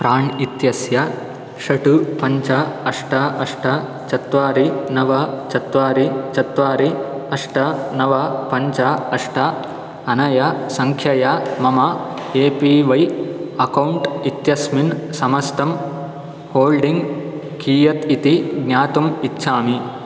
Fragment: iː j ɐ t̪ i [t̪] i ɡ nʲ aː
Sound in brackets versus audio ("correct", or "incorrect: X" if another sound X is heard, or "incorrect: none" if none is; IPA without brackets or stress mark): correct